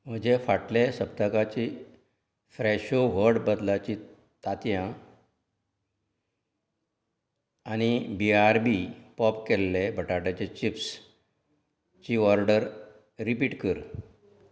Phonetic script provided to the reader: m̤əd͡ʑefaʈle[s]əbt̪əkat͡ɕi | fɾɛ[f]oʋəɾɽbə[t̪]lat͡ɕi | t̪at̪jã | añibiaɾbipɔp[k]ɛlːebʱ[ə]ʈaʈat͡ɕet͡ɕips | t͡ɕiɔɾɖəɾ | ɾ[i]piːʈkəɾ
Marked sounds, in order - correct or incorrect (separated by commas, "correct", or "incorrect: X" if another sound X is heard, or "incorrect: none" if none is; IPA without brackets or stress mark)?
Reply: correct, incorrect: ɕ, incorrect: d̪, correct, correct, correct